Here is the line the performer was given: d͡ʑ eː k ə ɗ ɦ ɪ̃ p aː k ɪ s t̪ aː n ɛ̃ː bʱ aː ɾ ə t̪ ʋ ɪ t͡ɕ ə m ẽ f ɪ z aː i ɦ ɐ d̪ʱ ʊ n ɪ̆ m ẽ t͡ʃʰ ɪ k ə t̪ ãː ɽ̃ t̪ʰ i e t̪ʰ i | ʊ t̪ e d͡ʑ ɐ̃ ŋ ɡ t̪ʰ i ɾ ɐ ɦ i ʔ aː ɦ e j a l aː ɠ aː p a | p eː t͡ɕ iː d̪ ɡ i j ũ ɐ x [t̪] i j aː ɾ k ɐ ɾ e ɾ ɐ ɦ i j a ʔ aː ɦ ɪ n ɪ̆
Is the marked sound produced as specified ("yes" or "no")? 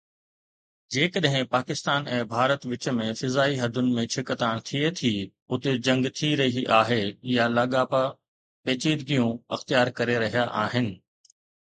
yes